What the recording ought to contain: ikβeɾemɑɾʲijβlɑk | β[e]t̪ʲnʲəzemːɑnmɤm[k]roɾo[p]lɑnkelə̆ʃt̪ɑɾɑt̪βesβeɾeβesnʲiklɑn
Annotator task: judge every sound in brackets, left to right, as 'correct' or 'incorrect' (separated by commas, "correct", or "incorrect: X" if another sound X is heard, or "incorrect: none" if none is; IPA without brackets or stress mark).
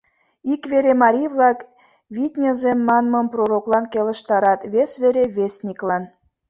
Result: incorrect: i, incorrect: p, incorrect: k